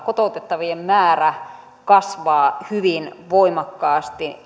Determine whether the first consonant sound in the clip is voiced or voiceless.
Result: voiceless